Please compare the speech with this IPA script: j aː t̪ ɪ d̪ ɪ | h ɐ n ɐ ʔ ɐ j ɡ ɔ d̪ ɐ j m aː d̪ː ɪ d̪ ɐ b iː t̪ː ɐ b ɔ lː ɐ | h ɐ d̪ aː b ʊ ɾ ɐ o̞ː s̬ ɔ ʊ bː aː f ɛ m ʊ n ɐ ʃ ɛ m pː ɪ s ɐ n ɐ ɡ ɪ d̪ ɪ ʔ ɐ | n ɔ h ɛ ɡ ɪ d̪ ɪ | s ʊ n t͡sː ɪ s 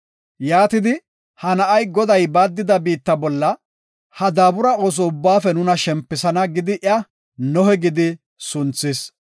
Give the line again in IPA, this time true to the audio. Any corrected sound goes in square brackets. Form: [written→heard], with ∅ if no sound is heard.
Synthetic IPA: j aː t̪ ɪ d̪ ɪ | h ɐ n ɐ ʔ ɐ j ɡ ɔ d̪ ɐ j [m→b] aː d̪ː ɪ d̪ ɐ b iː t̪ː ɐ b ɔ lː ɐ | h ɐ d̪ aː b ʊ ɾ ɐ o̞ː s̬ ɔ ʊ bː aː f ɛ [m→n] ʊ n ɐ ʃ ɛ m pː ɪ s ɐ n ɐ ɡ ɪ d̪ ɪ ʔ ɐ | n ɔ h ɛ ɡ ɪ d̪ ɪ | s ʊ n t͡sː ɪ s

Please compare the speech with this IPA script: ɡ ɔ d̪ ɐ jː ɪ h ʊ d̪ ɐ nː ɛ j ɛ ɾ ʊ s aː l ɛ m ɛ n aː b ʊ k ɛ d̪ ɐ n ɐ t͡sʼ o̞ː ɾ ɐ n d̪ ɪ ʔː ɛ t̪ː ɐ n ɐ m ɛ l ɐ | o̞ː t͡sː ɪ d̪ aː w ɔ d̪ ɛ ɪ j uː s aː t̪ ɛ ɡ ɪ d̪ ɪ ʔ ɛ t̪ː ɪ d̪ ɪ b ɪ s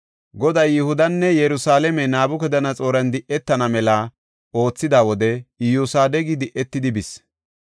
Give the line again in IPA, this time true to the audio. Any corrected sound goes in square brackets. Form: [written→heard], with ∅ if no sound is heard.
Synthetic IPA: ɡ ɔ d̪ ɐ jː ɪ h ʊ d̪ ɐ nː ɛ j ɛ ɾ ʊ s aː l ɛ m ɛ n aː b ʊ k ɛ d̪ ɐ n ɐ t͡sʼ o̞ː ɾ ɐ n d̪ ɪ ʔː ɛ t̪ː ɐ n ɐ m ɛ l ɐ | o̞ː t͡sː ɪ d̪ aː w ɔ d̪ ɛ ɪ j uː s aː [t̪→d̪] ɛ ɡ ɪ d̪ ɪ ʔ ɛ t̪ː ɪ d̪ ɪ b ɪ s

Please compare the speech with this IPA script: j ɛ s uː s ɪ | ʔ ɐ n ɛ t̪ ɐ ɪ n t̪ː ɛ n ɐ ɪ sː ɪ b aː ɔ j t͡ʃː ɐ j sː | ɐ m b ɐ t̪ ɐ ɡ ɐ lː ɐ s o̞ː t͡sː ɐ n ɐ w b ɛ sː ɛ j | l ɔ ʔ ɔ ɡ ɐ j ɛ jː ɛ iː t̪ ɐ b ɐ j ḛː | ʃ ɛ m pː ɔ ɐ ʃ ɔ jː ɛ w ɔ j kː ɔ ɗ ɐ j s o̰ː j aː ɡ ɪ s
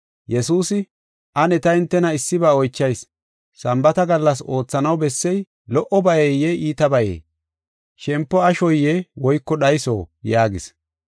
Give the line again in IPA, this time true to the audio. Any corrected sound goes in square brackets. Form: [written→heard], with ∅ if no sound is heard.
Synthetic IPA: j ɛ s uː s ɪ | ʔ ɐ n ɛ t̪ ɐ ɪ n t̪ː ɛ n ɐ ɪ sː ɪ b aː ɔ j t͡ʃː ɐ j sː | ɐ m b ɐ t̪ ɐ ɡ ɐ lː ɐ s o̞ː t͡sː ɐ n ɐ w b ɛ sː ɛ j | l ɔ ʔ ɔ [ɡ→b] ɐ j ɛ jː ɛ iː t̪ ɐ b ɐ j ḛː | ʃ ɛ m pː ɔ ɐ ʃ ɔ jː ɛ w ɔ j kː ɔ ɗ ɐ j s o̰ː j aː ɡ ɪ s

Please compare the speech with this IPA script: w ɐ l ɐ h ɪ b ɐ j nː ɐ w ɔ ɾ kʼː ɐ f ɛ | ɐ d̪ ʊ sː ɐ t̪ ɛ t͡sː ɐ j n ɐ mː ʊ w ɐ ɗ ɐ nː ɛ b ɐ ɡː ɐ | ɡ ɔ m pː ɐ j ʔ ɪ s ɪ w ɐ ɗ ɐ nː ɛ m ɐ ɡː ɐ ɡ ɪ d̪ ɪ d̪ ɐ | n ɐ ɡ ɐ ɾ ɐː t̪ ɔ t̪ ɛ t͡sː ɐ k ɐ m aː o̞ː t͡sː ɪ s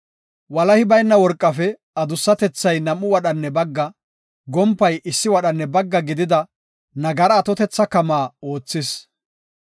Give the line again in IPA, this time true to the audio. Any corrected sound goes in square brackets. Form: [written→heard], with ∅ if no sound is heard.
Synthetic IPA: w ɐ l ɐ h ɪ b ɐ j nː ɐ w ɔ ɾ kʼː ɐ f ɛ | ɐ d̪ ʊ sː ɐ t̪ ɛ t͡sː ɐ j n ɐ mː ʊ w ɐ ɗ ɐ nː ɛ b ɐ ɡː ɐ | ɡ ɔ m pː ɐ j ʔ ɪ [s→sː] ɪ w ɐ ɗ ɐ nː ɛ [m→b] ɐ ɡː ɐ ɡ ɪ d̪ ɪ d̪ ɐ | n ɐ ɡ ɐ ɾ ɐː t̪ ɔ t̪ ɛ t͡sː ɐ k ɐ m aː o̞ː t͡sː ɪ s

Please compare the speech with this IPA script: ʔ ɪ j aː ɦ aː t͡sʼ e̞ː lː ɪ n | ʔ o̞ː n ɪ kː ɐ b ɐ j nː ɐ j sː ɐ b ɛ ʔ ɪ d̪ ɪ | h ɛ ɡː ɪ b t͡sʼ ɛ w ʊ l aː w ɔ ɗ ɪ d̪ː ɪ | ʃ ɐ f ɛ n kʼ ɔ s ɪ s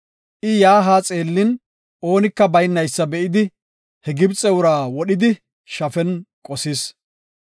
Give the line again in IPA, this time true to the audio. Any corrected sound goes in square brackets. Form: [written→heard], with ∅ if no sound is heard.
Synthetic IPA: ʔ ɪ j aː ɦ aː t͡sʼ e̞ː lː ɪ n | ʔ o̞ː n ɪ kː ɐ b ɐ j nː ɐ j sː ɐ b ɛ ʔ ɪ d̪ ɪ | h ɛ [ɡː→ɡ] ɪ b t͡sʼ ɛ w ʊ [l→ɾ] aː w ɔ ɗ ɪ [d̪ː→d̪] ɪ | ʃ ɐ f ɛ n kʼ ɔ s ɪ s

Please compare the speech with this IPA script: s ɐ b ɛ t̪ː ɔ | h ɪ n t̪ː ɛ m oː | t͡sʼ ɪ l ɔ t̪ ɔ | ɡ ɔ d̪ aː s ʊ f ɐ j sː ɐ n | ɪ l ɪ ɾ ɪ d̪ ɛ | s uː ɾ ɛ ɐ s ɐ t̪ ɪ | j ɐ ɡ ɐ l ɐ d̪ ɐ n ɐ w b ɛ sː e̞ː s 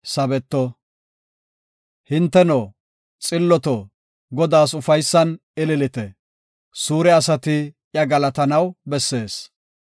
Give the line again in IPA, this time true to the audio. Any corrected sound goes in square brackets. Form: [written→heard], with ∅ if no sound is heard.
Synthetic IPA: s ɐ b ɛ t̪ː ɔ | h ɪ n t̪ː ɛ [m→n] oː | t͡sʼ ɪ [l→lː] ɔ t̪ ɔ | ɡ ɔ d̪ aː s ʊ f ɐ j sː ɐ n | ɪ l ɪ [ɾ→l] ɪ [d̪→t̪] ɛ | s uː ɾ ɛ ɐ s ɐ t̪ ɪ | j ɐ ɡ ɐ l ɐ [d̪→t̪] ɐ n ɐ w b ɛ sː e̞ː s

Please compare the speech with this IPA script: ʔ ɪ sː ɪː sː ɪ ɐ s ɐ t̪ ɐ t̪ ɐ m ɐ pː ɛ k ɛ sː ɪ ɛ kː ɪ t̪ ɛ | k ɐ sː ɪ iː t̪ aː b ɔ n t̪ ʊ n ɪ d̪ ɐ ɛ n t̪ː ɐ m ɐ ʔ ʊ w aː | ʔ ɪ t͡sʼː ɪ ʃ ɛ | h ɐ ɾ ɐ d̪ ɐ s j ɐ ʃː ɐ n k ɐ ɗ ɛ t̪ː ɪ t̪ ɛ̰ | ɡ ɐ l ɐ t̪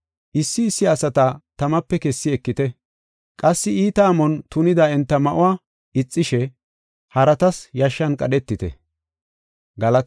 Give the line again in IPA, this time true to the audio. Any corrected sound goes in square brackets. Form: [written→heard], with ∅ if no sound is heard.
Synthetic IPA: ʔ ɪ sː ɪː sː ɪ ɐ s ɐ t̪ ɐ t̪ ɐ m ɐ pː ɛ k ɛ sː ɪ ɛ kː ɪ t̪ ɛ | [k→kʼ] ɐ sː ɪ iː t̪ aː [b→m] ɔ n t̪ ʊ n ɪ d̪ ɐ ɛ n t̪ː ɐ m ɐ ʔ ʊ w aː | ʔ ɪ t͡sʼː ɪ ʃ ɛ | h ɐ ɾ ɐ [d̪→t̪] ɐ s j ɐ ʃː ɐ n [k→kʼ] ɐ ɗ ɛ t̪ː ɪ t̪ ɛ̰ | ɡ ɐ l ɐ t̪

